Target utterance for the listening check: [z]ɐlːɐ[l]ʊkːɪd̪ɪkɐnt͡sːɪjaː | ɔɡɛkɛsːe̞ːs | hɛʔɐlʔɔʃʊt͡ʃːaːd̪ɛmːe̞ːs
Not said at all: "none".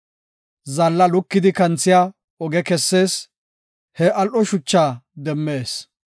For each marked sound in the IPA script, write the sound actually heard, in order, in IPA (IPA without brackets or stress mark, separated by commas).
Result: z, l